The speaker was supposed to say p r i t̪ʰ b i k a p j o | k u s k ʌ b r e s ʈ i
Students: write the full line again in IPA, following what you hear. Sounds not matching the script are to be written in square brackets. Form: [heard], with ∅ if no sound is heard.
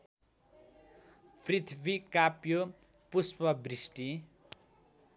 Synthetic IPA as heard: p r i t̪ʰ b i k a p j o | [p] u s [p] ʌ b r [i] s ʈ i